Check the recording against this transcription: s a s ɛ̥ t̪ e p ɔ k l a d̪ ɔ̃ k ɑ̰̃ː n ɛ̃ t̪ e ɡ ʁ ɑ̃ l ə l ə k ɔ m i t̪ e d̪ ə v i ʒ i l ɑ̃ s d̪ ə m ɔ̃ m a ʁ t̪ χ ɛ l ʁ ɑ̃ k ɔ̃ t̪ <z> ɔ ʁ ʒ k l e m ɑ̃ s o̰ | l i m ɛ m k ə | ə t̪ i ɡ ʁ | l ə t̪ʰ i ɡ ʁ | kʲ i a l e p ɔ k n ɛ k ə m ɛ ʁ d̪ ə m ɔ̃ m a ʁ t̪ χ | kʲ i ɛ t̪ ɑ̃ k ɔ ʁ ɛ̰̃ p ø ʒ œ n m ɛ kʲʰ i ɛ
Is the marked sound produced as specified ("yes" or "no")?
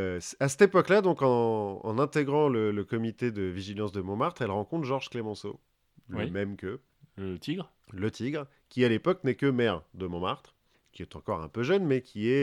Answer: no